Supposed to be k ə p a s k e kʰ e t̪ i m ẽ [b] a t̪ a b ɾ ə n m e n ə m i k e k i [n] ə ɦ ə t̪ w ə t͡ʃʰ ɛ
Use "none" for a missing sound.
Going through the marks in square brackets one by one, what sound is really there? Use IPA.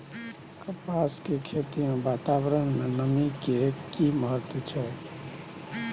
b, m

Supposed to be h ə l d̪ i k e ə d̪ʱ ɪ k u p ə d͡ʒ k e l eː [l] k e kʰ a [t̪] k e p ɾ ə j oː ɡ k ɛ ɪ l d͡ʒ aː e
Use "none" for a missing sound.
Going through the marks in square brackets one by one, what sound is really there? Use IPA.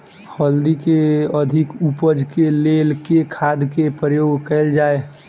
l, d̪

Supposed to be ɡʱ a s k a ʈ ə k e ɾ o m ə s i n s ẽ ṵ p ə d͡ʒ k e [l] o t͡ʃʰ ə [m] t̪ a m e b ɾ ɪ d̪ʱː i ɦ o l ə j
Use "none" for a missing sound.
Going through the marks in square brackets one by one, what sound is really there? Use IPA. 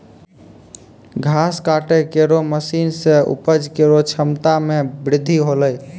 ɾ, m

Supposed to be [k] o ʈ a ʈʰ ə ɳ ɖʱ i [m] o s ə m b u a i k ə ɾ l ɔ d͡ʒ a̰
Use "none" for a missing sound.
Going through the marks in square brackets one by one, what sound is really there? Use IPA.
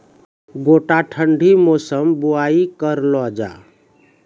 ɡ, m

